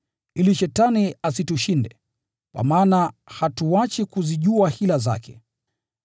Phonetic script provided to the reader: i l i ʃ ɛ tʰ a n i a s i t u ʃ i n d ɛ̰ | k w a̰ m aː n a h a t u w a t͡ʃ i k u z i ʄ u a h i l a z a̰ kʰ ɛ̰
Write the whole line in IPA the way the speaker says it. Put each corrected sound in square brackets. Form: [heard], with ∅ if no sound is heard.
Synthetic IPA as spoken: i l i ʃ ɛ [t] a n i a s i t u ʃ i n d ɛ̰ | k w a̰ m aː n a h a t u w a t͡ʃ i k u z i ʄ u a h i l a z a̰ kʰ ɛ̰